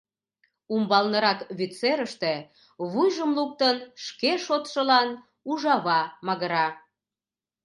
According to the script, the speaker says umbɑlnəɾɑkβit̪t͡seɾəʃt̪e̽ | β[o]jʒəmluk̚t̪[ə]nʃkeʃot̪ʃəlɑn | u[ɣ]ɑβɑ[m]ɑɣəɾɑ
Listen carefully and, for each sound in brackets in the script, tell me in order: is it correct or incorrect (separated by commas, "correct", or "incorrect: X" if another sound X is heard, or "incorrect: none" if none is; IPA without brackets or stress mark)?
incorrect: u, correct, incorrect: ʒ, correct